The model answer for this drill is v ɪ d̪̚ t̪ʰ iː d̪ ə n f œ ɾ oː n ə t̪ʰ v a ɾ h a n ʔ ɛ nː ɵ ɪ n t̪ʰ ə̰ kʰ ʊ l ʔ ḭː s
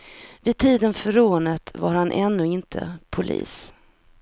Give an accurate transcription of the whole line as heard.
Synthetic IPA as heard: v ɪ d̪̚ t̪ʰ iː d̪ ə n f œ ɾ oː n ə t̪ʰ v a ɾ h a n ʔ ɛ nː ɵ ɪ n t̪ʰ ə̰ pʰ ʊ l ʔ ḭː s

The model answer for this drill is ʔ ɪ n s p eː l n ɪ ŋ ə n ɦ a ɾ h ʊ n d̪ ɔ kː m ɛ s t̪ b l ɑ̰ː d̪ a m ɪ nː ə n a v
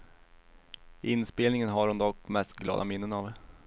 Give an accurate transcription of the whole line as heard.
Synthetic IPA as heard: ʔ ɪ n s p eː l n ɪ ŋ ə n ɦ a ɾ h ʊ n d̪ ɔ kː m ɛ s t̪ ɡ l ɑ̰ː d̪ a m ɪ nː ə n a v

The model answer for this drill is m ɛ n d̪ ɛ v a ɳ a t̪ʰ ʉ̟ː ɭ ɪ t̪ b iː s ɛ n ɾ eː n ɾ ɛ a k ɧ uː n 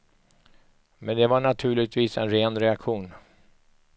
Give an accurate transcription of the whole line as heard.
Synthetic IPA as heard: m ɛ n d̪ ɛ v a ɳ a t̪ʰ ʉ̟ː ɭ ɪ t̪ v iː s ɛ n ɾ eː n ɾ ɛ a k ɧ uː n

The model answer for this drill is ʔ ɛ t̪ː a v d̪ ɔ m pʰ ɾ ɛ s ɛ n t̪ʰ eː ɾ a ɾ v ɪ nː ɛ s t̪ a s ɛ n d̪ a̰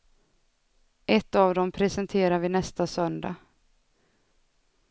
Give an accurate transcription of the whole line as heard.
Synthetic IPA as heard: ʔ ɛ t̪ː a v d̪ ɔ m pʰ ɾ ɛ s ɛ n t̪ʰ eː ɾ a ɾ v ɪ n ɛ s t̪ a s œ n d̪ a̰

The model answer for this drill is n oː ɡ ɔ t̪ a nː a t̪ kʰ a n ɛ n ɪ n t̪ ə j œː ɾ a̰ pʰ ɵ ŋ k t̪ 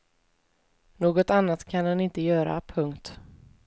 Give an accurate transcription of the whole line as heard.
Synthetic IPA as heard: n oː ɡ ɔ t̪ a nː a t̪ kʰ a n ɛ n ɪ n t̪ ə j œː ɾ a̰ pʰ ɵ ŋ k t̪

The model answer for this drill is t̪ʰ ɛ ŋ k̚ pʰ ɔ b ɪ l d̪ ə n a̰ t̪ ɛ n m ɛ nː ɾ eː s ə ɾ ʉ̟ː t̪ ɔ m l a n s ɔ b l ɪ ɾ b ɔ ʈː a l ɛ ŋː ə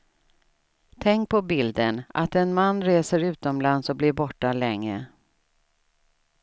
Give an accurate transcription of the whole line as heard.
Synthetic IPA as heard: t̪ʰ ɛ ŋ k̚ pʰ ɔ b ɪ l d̪ ə n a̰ t̪ ɛ n m a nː ɾ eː s ə ɾ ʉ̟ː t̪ ɔ m l a n s ɔ b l ɪ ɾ b ɔ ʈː a l ɛ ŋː ə

